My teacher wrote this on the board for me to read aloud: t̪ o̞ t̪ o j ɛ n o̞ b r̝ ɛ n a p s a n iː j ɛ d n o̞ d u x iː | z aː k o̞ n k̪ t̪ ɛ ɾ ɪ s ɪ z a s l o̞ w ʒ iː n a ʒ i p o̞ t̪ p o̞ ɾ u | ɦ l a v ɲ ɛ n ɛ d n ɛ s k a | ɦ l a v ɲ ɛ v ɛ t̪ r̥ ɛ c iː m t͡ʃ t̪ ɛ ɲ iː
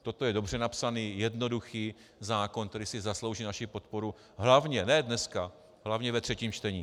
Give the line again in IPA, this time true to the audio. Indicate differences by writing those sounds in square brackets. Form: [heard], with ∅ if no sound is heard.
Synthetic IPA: t̪ o̞ t̪ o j ɛ [d] o̞ b r̝ ɛ n a p s a n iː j ɛ d n o̞ d u x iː | z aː k o̞ n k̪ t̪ ɛ ɾ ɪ s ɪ z a s l o̞ w ʒ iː n a [ʃ] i p o̞ t̪ p o̞ ɾ u | ɦ l a v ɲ ɛ n ɛ d n ɛ s k a | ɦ l a v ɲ ɛ v ɛ t̪ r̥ ɛ c iː m t͡ʃ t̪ ɛ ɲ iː